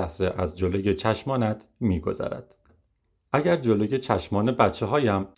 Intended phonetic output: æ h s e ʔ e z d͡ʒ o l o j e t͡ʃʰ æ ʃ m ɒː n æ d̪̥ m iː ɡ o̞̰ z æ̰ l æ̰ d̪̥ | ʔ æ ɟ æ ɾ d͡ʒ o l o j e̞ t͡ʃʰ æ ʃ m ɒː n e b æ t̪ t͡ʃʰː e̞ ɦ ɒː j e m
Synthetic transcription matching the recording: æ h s e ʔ æ z d͡ʒ o l o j e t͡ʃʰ æ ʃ m ɒː n æ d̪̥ m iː ɡ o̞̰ z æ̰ ɾ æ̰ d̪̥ | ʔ æ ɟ æ ɾ d͡ʒ o l o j e̞ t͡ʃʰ æ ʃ m ɒː n e b æ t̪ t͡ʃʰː e̞ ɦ ɒː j æ m